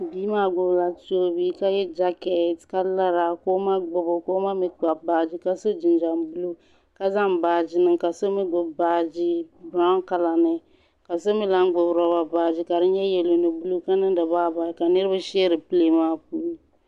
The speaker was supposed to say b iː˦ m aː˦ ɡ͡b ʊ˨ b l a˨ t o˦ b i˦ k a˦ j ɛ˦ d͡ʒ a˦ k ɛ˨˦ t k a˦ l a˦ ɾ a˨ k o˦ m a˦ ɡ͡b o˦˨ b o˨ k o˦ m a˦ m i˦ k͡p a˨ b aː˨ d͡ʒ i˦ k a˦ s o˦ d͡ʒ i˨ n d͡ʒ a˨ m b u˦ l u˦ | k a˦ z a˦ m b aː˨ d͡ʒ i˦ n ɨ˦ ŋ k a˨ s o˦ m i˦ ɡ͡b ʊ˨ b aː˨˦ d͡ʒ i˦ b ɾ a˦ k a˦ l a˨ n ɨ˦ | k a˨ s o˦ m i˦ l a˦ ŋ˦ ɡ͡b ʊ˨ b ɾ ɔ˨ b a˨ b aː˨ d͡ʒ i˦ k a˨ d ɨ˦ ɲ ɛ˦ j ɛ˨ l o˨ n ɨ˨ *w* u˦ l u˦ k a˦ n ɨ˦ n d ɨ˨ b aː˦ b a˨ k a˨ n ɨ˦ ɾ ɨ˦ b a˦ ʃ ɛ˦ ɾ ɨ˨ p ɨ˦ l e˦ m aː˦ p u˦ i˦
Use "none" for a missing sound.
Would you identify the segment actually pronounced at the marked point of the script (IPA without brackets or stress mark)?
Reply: b